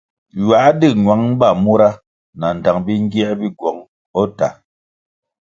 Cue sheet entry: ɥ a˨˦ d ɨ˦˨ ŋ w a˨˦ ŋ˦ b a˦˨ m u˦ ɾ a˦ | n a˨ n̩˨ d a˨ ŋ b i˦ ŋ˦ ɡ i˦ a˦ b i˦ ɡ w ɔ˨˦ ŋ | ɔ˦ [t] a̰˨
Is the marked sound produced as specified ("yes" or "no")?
yes